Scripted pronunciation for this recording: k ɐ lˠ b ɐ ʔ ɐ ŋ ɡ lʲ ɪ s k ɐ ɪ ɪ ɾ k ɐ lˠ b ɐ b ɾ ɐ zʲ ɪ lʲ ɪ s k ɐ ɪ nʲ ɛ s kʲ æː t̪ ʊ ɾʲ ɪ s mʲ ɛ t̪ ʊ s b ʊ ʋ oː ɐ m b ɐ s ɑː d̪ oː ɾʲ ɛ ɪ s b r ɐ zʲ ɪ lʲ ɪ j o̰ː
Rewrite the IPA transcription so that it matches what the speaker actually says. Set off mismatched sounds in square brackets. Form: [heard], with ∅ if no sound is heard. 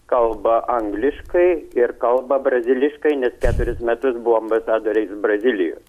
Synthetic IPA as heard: k ɐ lˠ b ɐ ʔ ɐ ŋ ɡ lʲ ɪ [ʃ] k ɐ ɪ ɪ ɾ k ɐ lˠ b ɐ b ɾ ɐ zʲ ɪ lʲ ɪ [ʃ] k ɐ ɪ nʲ ɛ s kʲ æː t̪ ʊ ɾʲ ɪ s mʲ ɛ t̪ ʊ s b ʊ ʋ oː ɐ m b ɐ s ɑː d̪ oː ɾʲ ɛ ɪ s b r ɐ zʲ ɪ lʲ ɪ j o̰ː